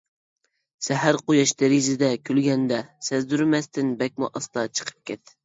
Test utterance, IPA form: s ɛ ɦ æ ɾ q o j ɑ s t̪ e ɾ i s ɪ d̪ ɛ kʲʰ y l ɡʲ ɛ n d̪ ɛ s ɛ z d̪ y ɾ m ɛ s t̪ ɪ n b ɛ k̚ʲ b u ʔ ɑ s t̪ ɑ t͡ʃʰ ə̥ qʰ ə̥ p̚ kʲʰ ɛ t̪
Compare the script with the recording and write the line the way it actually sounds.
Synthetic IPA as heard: s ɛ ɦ æ ɾ q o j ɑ ʃ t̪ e ɾ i z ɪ d̪ ɛ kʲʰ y l ɡʲ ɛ n d̪ ɛ s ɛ z d̪ y ɾ m ɛ s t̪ ɪ n b ɛ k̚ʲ m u ʔ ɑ s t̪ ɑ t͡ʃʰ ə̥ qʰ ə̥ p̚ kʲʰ ɛ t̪

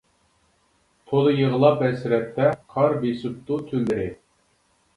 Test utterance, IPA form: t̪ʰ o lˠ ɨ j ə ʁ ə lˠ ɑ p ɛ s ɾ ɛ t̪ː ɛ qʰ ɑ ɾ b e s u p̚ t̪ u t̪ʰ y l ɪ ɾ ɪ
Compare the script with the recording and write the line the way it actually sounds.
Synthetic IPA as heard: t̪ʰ o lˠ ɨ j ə ʁ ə lˠ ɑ p ɛ s ɾ ɛ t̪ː ɛ qʰ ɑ ɾ b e s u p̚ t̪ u t̪ʰ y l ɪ ɾ ɪ

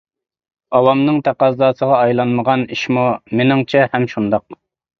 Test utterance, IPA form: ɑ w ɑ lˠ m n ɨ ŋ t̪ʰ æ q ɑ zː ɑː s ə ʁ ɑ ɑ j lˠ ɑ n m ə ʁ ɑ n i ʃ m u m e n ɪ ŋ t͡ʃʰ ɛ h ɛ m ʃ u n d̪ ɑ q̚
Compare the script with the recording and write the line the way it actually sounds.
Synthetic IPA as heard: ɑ w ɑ m n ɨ ŋ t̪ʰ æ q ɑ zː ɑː s ə ʁ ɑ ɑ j lˠ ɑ n m ə ʁ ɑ n i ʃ m u m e n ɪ ŋ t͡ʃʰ ɛ h ɛ m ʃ u n d̪ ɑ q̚

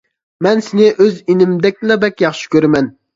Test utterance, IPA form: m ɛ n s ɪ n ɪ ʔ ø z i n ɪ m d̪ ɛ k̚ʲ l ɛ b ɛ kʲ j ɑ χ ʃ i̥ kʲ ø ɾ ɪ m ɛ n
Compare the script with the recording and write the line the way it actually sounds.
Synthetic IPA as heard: m ɛ n s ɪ n ɪ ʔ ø z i n ɪ m d̪ ɛ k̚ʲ l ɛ b ɛ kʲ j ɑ χ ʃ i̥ kʲ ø ɾ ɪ m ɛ n

